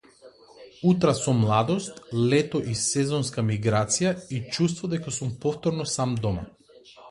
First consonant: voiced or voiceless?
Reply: voiceless